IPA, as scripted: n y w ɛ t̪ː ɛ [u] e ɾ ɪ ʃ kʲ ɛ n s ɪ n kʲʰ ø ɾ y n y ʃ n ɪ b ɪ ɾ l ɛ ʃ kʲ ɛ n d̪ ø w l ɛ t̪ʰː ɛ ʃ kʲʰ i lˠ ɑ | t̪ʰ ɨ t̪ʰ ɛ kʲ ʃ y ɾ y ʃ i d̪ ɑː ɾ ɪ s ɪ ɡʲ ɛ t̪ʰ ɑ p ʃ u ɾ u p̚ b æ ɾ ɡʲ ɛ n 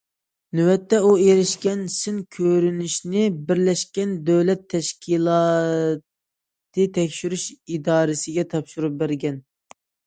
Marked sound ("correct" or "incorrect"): correct